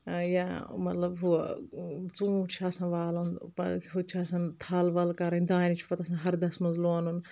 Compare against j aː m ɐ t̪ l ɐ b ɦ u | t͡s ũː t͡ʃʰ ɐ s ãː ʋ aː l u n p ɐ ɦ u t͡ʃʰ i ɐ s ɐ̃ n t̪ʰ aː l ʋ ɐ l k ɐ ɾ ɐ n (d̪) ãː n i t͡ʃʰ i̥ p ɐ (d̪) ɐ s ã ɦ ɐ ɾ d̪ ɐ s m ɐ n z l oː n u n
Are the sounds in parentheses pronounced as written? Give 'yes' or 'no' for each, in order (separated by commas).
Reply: yes, no